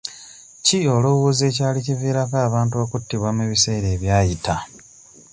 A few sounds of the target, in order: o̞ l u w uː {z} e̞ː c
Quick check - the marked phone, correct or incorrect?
correct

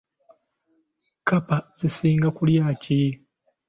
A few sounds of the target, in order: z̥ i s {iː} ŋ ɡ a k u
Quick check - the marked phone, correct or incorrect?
correct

